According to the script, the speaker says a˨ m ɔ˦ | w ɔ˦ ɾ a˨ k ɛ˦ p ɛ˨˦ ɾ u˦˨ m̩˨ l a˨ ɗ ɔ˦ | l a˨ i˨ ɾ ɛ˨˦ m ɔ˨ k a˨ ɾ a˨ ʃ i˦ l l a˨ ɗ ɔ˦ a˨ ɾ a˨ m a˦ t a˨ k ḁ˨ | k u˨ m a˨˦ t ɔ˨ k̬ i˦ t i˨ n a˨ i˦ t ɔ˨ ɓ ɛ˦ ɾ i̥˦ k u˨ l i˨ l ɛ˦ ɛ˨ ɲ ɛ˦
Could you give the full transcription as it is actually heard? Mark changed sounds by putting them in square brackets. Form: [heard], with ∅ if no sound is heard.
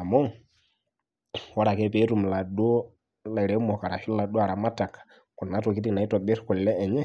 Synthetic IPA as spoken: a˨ m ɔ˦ | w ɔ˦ ɾ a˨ k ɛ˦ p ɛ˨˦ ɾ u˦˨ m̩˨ l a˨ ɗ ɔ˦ | l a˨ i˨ ɾ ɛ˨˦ m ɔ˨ k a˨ ɾ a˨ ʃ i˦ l l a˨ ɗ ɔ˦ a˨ ɾ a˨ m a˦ t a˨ k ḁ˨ | k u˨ [n] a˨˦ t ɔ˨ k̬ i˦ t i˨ n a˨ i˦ t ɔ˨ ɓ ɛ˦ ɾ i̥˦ k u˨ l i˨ l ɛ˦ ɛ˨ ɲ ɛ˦